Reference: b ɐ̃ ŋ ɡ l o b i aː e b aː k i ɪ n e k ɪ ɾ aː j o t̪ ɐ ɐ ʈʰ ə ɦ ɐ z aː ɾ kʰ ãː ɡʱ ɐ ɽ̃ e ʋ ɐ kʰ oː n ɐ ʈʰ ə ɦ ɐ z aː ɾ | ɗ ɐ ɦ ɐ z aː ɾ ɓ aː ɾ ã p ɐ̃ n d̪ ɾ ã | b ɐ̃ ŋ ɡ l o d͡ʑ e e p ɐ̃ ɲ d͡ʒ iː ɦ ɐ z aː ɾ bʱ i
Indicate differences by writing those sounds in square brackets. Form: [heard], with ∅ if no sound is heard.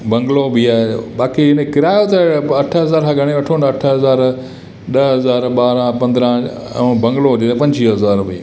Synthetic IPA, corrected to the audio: b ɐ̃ ŋ ɡ l o b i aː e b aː k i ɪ n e k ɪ ɾ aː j o t̪ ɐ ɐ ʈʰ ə ɦ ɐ z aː ɾ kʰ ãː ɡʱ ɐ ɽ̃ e ʋ ɐ [ʈʰ] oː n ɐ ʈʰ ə ɦ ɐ z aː ɾ | ɗ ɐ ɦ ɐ z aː ɾ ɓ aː ɾ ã p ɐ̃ n d̪ ɾ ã | b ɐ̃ ŋ ɡ l o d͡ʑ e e p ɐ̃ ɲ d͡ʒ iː ɦ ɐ z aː ɾ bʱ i